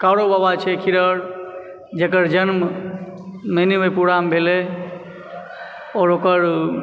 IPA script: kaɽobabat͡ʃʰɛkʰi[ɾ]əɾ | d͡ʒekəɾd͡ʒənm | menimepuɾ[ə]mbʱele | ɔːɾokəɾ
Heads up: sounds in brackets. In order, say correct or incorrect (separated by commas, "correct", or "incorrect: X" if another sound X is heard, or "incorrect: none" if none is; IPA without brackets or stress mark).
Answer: correct, incorrect: a